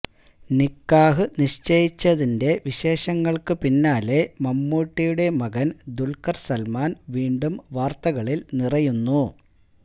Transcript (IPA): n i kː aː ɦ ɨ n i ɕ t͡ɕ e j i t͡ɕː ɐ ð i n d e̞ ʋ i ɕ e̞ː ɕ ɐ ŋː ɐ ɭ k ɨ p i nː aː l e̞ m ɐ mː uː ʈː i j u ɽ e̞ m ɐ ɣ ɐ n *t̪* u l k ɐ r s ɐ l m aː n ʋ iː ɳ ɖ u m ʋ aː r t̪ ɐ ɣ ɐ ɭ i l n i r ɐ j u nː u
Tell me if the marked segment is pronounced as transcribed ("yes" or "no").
no